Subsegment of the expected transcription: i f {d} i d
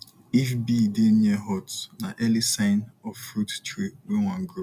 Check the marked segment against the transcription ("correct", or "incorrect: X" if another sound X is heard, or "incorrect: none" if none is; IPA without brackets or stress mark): incorrect: b